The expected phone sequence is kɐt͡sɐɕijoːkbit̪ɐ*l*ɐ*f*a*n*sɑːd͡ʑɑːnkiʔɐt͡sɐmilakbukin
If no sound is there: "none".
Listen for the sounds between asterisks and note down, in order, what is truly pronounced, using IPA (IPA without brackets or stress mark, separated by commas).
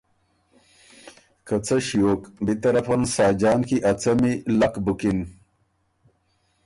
ɾ, f, n